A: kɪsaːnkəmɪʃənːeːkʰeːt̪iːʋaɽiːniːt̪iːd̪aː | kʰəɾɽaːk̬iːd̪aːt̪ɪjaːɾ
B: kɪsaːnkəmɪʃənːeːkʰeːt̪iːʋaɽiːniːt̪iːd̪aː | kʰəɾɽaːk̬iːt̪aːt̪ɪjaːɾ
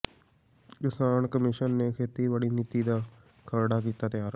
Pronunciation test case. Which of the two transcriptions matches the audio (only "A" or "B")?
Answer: B